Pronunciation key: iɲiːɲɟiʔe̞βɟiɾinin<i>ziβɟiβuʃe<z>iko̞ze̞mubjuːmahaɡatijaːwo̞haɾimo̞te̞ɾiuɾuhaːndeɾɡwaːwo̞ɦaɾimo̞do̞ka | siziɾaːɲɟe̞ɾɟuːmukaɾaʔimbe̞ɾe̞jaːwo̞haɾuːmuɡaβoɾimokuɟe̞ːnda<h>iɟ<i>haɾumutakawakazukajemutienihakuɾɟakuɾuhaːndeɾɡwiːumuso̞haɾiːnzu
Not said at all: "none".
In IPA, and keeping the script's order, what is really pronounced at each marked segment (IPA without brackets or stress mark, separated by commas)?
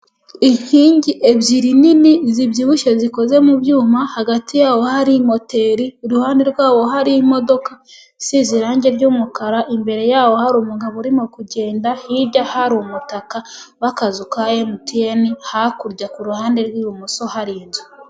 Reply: i, z, h, a